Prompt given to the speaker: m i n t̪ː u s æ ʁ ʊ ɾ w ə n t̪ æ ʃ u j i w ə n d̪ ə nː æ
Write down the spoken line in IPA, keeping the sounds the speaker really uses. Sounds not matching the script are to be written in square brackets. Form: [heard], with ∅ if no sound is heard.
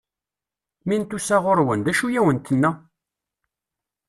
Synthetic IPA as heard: m i n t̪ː u s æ ʁ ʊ ɾ w ə n [d̪] æ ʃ u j [æ] w ə n [t̪] ə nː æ